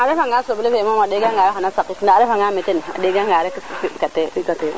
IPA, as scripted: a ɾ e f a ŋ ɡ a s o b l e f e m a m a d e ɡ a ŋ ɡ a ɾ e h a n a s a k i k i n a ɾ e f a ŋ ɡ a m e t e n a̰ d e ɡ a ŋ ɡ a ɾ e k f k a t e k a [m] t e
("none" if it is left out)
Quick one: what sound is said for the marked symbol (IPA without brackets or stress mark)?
none